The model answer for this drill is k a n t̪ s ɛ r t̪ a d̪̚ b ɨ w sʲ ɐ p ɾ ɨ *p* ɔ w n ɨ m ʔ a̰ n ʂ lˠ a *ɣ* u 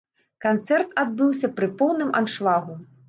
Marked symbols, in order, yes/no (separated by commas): yes, yes